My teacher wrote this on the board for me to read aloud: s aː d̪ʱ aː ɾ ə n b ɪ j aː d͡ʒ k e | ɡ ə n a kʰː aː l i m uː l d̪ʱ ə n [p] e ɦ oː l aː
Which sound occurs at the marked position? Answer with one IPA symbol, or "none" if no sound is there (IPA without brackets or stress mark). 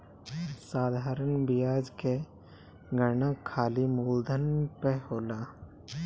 p